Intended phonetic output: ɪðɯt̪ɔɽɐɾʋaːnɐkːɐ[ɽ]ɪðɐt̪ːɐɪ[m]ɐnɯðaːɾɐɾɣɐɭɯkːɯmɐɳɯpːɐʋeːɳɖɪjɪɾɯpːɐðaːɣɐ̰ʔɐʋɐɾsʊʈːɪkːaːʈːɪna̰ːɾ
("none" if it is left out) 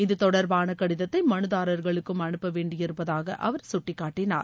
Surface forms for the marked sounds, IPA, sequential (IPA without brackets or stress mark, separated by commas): ɽ, m